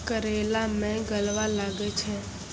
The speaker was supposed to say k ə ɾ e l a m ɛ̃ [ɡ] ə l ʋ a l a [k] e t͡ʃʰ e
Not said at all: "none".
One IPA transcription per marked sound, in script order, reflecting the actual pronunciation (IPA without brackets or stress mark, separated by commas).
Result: ɡ, ɡ